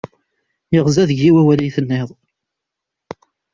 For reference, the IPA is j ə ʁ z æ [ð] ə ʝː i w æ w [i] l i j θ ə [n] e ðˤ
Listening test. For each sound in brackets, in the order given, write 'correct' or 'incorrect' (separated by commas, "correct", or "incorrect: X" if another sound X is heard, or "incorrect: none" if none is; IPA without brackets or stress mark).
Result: correct, incorrect: æ, incorrect: nː